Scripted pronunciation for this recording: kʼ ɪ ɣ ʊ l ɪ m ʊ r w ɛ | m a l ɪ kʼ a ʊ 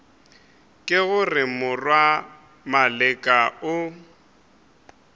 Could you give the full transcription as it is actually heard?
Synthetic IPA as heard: kʼ ɪ ɣ ʊ r ɪ m ʊ r w a | m a l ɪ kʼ a ʊ